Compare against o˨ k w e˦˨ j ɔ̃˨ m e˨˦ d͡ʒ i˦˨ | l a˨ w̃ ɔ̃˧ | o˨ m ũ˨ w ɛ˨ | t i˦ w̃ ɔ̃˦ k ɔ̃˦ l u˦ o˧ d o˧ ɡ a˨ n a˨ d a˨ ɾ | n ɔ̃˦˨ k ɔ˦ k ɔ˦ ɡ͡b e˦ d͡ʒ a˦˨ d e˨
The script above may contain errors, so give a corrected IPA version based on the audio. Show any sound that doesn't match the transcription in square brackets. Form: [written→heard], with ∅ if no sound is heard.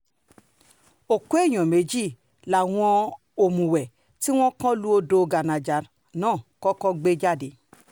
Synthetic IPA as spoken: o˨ k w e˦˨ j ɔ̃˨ m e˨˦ d͡ʒ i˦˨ | l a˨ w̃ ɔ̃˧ | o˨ m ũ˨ w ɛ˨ | t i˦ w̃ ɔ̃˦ k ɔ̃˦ l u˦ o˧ d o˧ ɡ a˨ n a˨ [d→d͡ʒ] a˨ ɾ | n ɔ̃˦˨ k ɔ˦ k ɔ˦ ɡ͡b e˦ d͡ʒ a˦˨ d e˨